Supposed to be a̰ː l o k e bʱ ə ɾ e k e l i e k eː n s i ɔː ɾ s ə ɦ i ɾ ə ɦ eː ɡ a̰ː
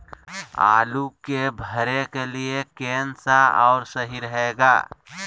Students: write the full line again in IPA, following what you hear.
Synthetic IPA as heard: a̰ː l u k e bʱ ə ɾ e k e l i e k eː n s a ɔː ɾ s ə ɦ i ɾ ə ɦ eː ɡ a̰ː